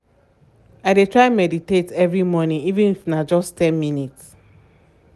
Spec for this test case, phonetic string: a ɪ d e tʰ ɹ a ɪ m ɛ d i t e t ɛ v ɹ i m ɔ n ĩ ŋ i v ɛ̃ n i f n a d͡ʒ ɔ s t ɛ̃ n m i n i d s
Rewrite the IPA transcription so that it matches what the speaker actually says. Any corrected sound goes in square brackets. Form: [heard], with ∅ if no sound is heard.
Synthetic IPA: a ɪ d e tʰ ɹ a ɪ m ɛ d i t e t ɛ v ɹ i m ɔ n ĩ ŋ i v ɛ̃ n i f n a d͡ʒ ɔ s t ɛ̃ n m i n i [t] s